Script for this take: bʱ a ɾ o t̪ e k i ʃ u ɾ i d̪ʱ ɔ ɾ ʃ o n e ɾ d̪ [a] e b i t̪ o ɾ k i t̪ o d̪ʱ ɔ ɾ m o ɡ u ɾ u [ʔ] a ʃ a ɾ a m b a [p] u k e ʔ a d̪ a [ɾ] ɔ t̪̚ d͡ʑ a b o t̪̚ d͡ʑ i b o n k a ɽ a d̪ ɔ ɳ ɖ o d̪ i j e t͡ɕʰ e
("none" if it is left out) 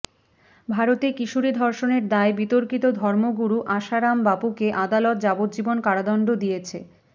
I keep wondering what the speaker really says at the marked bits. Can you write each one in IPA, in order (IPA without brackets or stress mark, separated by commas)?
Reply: a, ʔ, p, l